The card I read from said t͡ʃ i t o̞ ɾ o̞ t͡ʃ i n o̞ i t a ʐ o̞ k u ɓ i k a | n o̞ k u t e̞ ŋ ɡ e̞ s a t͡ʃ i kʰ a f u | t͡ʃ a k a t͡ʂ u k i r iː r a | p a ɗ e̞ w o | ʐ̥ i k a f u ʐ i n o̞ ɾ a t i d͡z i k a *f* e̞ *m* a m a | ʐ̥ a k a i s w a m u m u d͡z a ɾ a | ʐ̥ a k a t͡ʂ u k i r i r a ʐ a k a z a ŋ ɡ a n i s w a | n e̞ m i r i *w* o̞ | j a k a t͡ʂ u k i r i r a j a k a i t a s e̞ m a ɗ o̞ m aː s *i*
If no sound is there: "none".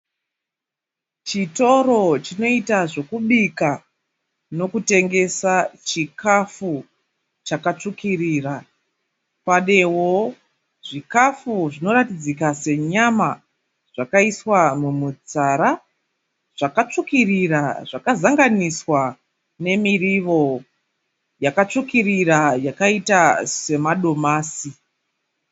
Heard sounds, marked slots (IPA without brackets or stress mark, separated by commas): s, ɲ, ʋ, i